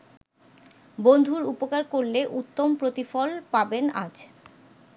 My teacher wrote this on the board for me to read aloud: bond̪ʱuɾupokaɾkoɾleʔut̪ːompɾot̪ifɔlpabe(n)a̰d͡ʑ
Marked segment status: correct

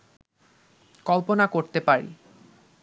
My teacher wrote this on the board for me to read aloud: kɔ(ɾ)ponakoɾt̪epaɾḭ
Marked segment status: incorrect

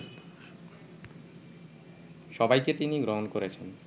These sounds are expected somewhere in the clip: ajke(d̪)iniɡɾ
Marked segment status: incorrect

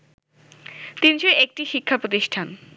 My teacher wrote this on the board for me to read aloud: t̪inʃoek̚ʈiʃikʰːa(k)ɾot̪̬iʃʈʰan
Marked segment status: incorrect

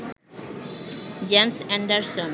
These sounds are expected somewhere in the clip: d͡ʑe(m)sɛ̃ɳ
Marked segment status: correct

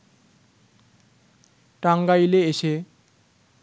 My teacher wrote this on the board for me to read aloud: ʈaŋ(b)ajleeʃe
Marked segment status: incorrect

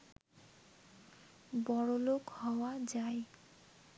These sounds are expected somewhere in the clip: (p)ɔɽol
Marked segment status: incorrect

